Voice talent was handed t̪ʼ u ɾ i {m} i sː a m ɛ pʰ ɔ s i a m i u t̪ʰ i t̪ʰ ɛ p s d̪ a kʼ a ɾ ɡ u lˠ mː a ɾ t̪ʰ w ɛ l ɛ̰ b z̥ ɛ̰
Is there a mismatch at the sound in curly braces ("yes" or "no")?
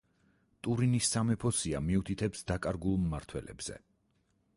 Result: yes